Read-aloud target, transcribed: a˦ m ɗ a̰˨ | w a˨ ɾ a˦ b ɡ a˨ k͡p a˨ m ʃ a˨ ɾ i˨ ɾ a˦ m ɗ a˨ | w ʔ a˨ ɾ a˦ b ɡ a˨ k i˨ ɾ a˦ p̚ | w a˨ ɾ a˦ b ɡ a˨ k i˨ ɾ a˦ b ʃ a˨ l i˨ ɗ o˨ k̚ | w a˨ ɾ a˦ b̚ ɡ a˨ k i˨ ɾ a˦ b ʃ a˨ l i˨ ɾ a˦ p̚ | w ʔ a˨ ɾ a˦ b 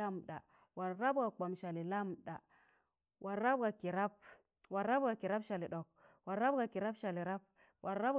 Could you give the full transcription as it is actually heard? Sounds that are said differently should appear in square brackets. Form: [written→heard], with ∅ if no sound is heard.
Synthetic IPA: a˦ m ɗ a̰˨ | w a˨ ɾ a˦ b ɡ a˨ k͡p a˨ m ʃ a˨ [ɾ→l] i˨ [ɾ→l] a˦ m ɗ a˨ | w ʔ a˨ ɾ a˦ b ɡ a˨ k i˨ ɾ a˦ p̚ | w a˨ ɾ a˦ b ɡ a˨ k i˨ ɾ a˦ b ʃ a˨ l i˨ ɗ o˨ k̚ | w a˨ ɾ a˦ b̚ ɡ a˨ k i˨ ɾ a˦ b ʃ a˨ l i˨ ɾ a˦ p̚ | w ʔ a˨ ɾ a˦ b